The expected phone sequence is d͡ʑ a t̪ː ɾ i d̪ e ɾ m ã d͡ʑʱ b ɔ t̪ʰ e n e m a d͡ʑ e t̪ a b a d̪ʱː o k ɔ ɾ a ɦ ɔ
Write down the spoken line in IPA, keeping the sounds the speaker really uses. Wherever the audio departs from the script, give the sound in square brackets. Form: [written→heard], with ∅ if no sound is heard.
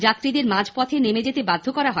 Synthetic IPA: d͡ʑ a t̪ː ɾ i d̪ e ɾ m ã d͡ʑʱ [b→p] ɔ t̪ʰ e n e m [a→e] d͡ʑ e t̪ [a→e] b a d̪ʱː o k ɔ ɾ a ɦ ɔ